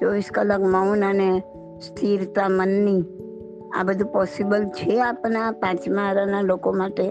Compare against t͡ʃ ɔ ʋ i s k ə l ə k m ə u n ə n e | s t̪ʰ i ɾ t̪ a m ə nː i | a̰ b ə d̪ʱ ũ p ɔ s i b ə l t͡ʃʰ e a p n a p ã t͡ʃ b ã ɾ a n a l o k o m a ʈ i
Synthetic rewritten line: t͡ʃ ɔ ʋ i s k ə l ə k m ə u n ə n e | s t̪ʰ i ɾ t̪ a m ə nː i | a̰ b ə d̪ʱ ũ p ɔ s i b ə l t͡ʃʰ e a p n a p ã t͡ʃ m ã ɾ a n a l o k o m a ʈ e